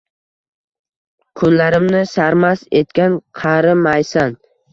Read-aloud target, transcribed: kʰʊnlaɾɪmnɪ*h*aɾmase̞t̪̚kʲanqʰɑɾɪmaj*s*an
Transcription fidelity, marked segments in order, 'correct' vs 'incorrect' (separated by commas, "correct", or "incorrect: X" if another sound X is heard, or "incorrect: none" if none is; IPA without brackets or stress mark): incorrect: s, correct